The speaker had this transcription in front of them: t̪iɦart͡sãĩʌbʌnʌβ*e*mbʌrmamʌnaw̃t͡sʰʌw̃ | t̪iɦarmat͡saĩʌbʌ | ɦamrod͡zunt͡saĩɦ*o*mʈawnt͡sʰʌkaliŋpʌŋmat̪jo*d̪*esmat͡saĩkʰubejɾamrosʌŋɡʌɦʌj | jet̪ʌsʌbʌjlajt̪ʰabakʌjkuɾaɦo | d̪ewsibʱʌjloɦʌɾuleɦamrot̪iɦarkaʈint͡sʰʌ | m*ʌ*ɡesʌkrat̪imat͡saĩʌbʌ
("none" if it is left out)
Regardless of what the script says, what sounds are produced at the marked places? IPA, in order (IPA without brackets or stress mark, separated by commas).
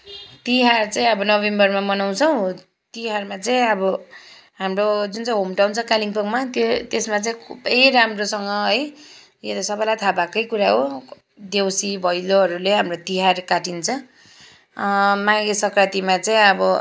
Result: e, o, t̪, a